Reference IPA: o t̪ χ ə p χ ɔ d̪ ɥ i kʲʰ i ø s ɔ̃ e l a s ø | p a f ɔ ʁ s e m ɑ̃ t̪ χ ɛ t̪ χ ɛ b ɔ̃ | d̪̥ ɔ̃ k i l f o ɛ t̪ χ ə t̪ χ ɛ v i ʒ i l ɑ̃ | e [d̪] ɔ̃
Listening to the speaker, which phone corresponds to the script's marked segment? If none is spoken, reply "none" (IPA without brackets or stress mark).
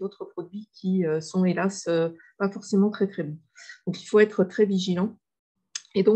d̪